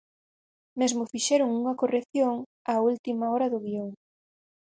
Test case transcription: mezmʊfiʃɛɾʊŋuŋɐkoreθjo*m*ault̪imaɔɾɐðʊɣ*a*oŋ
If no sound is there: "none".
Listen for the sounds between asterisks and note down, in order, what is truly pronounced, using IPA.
ŋ, i

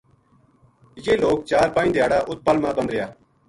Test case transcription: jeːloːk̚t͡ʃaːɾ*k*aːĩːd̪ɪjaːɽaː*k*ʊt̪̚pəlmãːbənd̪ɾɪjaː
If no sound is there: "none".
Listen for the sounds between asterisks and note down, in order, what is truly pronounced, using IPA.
p, ʔ

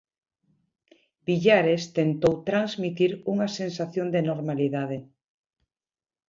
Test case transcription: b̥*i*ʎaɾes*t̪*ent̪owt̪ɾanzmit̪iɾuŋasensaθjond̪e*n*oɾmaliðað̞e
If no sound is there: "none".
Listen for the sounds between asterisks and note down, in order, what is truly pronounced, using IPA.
i, t̪, n

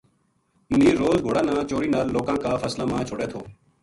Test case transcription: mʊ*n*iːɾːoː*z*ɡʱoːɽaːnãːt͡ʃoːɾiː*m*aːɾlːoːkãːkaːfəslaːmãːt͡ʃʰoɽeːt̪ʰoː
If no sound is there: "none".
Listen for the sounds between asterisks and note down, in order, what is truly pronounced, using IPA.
n, z, n

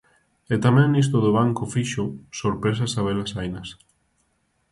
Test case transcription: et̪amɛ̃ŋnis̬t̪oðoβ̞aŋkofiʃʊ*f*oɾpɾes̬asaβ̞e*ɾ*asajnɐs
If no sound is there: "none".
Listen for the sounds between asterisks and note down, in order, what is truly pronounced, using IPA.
s, l

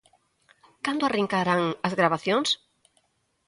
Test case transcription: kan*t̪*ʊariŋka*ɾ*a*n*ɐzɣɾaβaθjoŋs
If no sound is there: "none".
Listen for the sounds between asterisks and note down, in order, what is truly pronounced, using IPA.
d̪, ɾ, ŋ

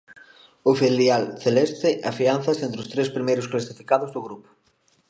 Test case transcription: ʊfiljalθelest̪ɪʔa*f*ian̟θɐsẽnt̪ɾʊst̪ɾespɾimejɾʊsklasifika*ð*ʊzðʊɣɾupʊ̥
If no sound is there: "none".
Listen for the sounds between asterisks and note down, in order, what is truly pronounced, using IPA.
f, ð

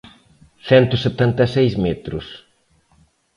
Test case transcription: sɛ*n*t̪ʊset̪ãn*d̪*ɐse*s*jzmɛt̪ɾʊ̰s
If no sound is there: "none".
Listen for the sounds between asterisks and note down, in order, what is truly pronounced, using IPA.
n, t̪, none

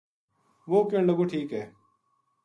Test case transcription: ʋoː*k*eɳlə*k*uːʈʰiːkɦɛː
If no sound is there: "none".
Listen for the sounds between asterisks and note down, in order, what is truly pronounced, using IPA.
k, ɡ

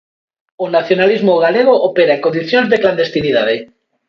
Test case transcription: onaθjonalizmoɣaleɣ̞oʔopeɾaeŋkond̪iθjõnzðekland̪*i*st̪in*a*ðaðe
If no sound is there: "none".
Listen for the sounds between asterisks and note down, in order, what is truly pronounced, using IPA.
e, i

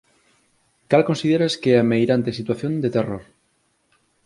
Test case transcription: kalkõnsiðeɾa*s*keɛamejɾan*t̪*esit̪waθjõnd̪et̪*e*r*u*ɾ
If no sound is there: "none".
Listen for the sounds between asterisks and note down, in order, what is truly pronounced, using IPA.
s, t̪, e, o

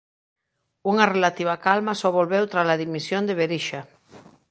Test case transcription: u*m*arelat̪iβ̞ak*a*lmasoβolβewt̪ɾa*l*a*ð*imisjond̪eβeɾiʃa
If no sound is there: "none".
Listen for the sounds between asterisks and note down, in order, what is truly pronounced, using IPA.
ŋ, a, l, ð

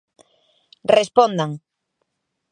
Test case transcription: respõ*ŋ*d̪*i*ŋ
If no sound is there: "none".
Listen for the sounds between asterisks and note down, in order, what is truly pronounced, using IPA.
n, a

